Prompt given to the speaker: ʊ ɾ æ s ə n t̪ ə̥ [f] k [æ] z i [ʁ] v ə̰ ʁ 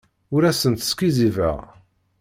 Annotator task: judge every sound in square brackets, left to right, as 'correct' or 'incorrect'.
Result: incorrect: s, incorrect: i, incorrect: none

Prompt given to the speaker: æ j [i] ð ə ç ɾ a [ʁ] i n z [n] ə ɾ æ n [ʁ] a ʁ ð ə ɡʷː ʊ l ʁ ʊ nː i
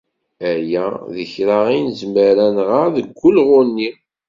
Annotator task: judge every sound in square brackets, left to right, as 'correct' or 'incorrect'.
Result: incorrect: æ, correct, incorrect: m, correct

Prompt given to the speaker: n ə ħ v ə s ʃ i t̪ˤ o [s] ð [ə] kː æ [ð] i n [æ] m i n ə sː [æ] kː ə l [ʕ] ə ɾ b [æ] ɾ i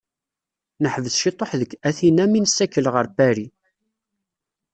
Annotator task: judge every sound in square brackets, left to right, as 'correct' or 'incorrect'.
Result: incorrect: ħ, correct, incorrect: θ, correct, correct, incorrect: ʁ, correct

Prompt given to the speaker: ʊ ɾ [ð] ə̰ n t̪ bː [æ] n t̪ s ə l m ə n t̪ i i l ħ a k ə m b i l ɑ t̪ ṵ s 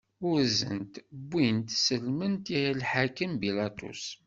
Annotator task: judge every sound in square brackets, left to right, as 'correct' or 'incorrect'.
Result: incorrect: z, incorrect: i

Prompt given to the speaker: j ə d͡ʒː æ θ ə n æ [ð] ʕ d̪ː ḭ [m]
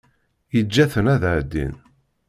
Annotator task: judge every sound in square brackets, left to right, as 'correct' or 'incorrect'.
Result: correct, incorrect: n

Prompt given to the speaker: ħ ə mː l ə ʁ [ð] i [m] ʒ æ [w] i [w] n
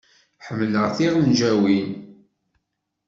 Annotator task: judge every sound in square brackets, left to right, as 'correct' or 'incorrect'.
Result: incorrect: θ, incorrect: n, correct, incorrect: none

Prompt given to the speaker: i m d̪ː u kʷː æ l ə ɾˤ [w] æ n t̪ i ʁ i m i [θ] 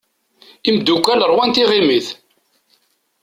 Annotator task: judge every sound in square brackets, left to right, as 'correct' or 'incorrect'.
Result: correct, correct

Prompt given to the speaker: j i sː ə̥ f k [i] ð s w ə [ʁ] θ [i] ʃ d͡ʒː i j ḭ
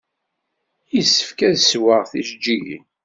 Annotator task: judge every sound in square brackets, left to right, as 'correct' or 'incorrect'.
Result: incorrect: æ, correct, correct

